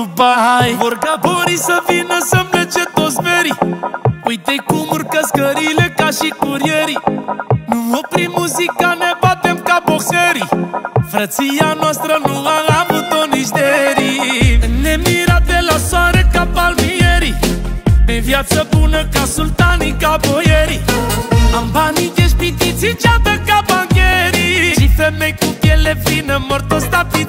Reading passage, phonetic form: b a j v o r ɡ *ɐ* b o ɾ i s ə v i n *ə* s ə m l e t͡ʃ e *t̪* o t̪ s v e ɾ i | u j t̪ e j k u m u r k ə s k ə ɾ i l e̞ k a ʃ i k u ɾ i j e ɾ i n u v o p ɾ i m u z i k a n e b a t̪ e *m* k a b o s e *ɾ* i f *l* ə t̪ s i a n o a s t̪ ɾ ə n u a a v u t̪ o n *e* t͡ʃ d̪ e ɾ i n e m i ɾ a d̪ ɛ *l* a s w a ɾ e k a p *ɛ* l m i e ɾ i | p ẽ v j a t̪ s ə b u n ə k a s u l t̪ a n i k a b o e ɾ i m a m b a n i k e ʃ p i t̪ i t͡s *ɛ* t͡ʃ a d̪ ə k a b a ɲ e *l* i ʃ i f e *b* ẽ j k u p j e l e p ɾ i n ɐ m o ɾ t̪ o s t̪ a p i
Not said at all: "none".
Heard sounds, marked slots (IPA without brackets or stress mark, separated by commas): a, ə, t̪, m, ɾ, ɾ, i, l, a, i, ɾ, m